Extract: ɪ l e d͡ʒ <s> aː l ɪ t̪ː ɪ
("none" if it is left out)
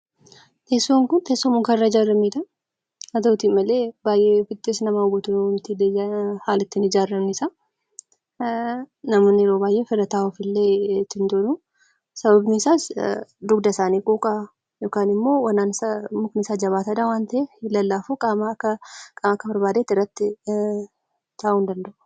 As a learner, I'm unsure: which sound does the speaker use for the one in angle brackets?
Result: h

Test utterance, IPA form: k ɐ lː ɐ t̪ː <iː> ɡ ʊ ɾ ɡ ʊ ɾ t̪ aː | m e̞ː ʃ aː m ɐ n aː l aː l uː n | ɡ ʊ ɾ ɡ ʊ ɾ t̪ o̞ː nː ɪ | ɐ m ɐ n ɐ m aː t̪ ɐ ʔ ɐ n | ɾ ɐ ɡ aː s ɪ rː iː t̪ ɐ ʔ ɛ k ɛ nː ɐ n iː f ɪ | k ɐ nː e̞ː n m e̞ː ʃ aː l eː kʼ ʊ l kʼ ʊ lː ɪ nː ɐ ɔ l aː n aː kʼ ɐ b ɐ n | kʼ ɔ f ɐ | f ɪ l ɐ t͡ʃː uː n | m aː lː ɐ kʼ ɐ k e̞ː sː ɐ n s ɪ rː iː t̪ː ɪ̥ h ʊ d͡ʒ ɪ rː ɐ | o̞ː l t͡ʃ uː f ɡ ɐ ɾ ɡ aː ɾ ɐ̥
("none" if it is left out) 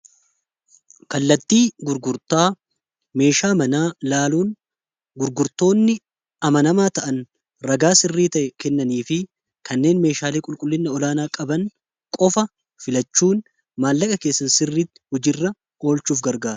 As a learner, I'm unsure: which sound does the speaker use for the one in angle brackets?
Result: iː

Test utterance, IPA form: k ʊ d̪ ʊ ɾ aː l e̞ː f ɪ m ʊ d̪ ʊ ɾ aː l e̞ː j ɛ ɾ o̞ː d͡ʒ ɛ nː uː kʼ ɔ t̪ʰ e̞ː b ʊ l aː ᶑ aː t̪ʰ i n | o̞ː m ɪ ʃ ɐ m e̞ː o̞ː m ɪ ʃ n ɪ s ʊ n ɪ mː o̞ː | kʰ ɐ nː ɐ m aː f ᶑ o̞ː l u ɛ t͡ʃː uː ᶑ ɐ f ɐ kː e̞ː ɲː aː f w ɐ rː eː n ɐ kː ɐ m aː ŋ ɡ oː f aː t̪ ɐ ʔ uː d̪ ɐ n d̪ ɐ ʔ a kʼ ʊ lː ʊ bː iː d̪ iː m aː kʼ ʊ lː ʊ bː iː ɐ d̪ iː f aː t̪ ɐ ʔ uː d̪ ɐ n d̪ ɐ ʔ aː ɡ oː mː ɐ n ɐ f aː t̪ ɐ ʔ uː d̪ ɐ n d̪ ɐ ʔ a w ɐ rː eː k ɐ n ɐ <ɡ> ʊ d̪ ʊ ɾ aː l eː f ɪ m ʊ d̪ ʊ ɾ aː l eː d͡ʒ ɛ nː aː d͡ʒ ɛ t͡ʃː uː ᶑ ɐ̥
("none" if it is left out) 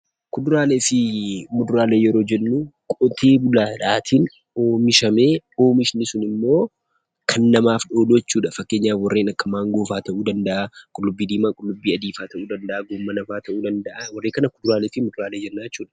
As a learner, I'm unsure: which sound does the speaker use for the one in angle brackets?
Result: k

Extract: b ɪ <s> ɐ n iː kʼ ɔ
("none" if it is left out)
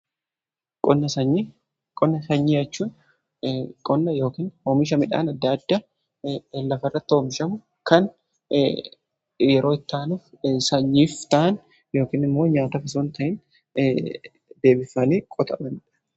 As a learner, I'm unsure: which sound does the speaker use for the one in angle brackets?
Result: f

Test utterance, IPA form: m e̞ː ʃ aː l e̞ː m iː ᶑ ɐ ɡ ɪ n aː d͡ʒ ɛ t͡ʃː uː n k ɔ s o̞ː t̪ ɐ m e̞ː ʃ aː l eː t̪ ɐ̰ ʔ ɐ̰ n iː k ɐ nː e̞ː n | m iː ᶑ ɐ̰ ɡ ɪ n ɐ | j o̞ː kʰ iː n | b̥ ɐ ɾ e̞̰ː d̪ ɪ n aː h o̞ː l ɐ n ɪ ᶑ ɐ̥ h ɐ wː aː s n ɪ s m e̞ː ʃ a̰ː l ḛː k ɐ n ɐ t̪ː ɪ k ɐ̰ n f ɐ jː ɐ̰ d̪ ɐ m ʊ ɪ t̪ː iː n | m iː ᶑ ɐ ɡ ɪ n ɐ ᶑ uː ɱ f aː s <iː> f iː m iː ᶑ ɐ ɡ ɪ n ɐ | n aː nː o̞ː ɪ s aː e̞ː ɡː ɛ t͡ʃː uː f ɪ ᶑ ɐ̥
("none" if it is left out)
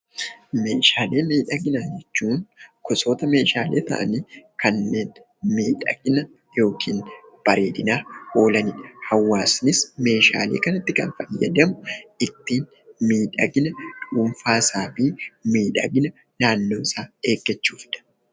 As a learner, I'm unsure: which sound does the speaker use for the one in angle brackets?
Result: aː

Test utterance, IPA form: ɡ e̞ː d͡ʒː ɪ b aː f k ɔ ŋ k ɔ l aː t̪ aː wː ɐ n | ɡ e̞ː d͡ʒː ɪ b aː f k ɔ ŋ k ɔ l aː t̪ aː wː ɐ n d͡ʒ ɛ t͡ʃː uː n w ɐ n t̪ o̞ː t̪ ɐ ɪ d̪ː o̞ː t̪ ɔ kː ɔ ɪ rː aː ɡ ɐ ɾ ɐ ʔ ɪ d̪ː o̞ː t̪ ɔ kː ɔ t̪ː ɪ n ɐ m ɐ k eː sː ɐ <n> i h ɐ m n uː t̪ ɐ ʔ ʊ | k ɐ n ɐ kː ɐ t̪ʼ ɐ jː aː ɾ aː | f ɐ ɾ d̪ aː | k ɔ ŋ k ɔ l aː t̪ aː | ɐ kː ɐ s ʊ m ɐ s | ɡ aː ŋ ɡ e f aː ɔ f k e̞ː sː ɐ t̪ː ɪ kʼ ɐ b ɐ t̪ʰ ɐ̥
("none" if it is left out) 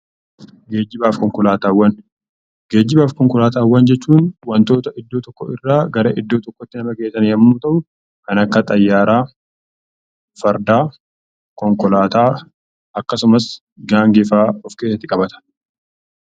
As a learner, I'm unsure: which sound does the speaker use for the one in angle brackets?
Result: n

